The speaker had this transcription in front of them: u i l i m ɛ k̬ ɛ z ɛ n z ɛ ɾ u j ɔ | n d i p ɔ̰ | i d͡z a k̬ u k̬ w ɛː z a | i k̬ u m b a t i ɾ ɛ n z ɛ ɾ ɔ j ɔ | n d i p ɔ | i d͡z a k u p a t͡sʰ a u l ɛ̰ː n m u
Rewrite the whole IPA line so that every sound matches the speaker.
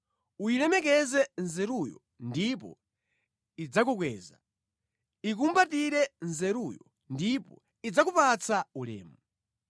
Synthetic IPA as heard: u i l ɛ m ɛ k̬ ɛ z ɛ n z ɛ ɾ u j ɔ | n d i p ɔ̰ | i d͡z a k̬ u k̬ w ɛː z a | i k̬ u m b a t i ɾ ɛ n z ɛ ɾ u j ɔ | n d i p ɔ | i d͡z a k u p a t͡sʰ a u l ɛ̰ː m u